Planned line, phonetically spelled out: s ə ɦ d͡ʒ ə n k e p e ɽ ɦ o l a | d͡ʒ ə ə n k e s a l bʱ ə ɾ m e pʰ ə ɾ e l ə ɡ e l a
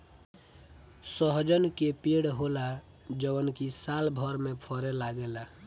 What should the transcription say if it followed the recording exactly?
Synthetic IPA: s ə ɦ d͡ʒ ə n k e p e ɽ ɦ o l a | d͡ʒ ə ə n k i s a l bʱ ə ɾ m e pʰ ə ɾ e l a ɡ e l a